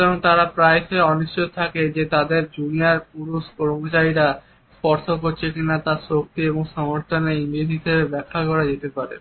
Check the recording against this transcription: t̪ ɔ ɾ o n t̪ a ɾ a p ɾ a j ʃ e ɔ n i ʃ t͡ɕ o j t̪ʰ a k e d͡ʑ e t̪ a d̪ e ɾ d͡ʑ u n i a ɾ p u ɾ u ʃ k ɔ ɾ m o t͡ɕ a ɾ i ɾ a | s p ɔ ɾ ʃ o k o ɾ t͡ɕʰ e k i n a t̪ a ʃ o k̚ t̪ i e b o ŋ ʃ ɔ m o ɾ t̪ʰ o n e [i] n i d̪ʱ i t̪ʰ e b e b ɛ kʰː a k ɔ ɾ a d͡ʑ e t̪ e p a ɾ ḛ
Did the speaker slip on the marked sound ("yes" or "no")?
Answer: no